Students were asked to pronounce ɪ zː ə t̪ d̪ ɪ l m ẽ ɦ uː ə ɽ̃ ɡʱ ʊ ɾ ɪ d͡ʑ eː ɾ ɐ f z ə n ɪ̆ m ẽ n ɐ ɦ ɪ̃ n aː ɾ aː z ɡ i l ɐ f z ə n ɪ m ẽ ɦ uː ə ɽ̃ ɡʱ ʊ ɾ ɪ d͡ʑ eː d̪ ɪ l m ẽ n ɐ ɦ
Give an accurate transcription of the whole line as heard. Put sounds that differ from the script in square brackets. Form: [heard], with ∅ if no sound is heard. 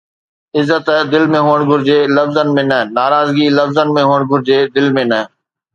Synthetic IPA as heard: ɪ zː ə t̪ d̪ ɪ l m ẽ ɦ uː ə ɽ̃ ɡʱ ʊ ɾ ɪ d͡ʑ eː [l] ɐ f z ə n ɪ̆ m ẽ n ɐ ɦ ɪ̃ n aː ɾ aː z ɡ i l ɐ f z ə n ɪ m ẽ ɦ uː ə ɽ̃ ɡʱ ʊ ɾ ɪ d͡ʑ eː d̪ ɪ l m ẽ n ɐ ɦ